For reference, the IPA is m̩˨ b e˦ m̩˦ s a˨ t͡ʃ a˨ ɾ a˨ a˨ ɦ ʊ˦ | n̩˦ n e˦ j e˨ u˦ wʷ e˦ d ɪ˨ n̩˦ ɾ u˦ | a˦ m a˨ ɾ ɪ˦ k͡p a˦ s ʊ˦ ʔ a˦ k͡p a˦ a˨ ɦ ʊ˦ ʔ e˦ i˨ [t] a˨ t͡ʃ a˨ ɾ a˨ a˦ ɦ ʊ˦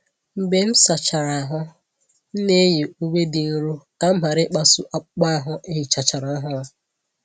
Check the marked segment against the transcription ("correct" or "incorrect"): incorrect